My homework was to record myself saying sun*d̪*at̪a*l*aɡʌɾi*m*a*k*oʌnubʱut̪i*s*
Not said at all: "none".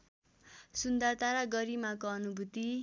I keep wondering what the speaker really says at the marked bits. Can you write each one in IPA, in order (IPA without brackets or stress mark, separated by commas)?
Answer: d̪, ɾ, m, k, none